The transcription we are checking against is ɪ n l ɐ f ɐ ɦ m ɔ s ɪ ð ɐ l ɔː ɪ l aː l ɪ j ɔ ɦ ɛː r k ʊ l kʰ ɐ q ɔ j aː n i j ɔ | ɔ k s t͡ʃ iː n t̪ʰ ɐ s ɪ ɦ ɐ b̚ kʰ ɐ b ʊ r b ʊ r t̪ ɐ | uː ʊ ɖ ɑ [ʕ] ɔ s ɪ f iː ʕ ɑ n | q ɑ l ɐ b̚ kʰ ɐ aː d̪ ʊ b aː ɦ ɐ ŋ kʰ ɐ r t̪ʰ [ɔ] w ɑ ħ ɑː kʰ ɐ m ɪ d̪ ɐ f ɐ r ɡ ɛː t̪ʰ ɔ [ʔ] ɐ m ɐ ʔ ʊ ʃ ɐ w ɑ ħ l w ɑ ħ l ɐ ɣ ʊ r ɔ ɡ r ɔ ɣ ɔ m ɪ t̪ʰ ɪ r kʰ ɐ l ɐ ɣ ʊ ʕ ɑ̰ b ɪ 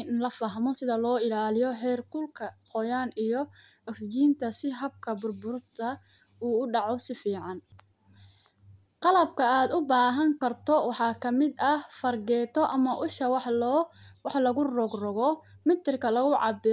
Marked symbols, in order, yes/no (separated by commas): yes, yes, yes